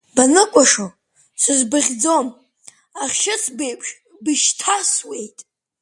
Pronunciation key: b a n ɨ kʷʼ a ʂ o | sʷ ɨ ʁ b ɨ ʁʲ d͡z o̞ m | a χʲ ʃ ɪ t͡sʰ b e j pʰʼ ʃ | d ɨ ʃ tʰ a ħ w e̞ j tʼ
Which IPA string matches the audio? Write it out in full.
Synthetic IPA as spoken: b a n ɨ kʷʼ a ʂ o | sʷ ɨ z b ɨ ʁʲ d͡z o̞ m | a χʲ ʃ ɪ t͡sʰ b e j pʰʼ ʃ | b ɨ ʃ tʰ a s w e̞ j tʼ